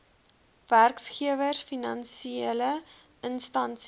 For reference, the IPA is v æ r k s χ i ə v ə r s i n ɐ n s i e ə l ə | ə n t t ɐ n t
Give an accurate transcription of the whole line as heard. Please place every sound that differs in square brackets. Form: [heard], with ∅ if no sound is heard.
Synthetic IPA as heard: v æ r k s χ i ə v ə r [f] i n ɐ n s i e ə l ə | ə n [s] t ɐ n [s]